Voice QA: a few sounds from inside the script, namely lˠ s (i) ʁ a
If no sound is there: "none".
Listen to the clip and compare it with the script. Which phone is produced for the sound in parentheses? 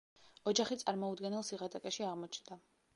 i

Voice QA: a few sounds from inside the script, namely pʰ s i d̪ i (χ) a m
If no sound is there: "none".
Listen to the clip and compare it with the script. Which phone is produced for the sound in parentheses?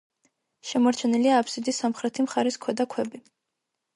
s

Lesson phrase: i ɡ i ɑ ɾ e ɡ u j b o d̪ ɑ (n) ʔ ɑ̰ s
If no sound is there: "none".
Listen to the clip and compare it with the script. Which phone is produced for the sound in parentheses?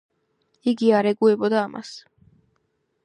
m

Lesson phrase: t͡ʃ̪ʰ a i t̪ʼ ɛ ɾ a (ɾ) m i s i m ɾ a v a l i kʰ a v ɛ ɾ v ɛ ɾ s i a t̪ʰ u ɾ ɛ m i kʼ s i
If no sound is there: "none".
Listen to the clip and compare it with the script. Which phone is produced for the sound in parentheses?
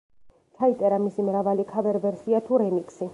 none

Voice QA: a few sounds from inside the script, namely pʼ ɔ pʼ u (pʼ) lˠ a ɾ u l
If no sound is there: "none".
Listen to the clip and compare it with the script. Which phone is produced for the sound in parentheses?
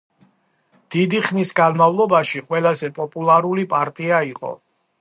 none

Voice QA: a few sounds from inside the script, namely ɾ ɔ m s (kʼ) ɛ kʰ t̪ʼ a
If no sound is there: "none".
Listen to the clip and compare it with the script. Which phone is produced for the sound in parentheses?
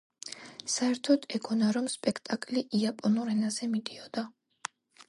pʼ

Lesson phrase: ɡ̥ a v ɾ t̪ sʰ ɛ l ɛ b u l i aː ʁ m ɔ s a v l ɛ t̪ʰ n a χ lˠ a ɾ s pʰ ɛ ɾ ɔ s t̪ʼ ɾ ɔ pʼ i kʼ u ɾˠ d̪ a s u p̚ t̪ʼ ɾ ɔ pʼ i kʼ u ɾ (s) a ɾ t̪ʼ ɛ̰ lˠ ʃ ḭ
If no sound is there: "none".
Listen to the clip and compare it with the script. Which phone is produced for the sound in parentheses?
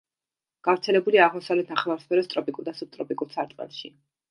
s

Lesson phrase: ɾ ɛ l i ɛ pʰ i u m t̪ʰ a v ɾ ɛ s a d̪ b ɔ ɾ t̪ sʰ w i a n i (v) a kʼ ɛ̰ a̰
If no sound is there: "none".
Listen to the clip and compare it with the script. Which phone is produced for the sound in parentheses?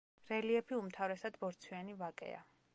v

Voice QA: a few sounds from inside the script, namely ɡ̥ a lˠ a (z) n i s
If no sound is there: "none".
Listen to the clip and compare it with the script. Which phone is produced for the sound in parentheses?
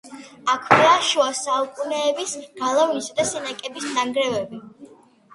v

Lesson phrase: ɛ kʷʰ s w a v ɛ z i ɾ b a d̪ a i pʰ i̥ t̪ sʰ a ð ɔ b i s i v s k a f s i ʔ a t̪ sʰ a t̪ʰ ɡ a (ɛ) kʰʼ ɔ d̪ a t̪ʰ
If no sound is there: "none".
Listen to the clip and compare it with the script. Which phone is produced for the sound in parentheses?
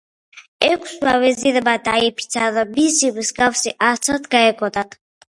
ɛ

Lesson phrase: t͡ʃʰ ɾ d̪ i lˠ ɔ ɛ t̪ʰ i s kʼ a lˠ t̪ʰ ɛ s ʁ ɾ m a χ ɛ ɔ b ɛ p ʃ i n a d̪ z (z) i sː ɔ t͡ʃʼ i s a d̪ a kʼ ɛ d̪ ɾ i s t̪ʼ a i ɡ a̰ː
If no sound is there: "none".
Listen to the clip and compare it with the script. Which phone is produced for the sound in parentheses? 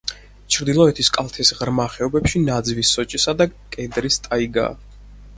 v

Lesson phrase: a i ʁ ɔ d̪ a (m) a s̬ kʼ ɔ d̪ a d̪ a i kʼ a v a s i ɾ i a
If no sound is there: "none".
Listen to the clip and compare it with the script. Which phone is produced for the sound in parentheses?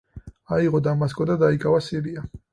m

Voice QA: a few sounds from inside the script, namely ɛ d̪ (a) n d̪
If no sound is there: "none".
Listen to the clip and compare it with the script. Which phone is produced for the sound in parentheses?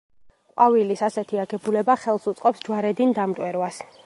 i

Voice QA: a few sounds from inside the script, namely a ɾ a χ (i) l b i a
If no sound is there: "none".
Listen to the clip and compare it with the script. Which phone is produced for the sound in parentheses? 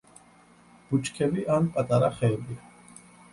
ɛ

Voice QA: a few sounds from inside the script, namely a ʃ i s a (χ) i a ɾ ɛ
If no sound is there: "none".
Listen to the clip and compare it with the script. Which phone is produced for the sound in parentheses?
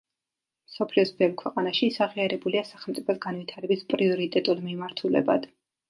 ʁ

